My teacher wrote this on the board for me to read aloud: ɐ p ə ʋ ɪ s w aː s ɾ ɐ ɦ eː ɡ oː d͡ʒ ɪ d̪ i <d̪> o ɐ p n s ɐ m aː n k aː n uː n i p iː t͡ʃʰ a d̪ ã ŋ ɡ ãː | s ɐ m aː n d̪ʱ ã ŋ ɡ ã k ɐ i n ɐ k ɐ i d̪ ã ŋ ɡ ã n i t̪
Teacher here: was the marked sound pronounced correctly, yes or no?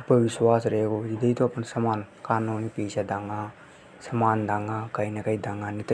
no